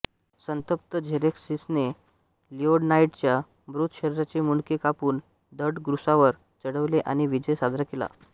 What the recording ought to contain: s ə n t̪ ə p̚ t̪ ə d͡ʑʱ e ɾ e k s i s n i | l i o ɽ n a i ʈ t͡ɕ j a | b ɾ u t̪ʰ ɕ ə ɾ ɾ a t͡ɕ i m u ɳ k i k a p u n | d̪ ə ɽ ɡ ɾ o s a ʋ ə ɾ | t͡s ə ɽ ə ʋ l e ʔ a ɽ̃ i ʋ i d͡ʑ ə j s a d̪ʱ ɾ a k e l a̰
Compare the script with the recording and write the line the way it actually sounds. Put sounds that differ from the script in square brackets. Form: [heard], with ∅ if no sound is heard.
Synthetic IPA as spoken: s ə n t̪ ə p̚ t̪ ə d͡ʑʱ e ɾ e k s i s n [e] | l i o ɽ n a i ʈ t͡ɕ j a | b ɾ u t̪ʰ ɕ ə ɾ ɾ a t͡ɕ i m u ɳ k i k a p [uː] n | d̪ ə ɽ ɡ ɾ [u] s a ʋ ə ɾ | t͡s ə ɽ ə ʋ l e ʔ a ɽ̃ i ʋ i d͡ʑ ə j s a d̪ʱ ɾ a k e l a̰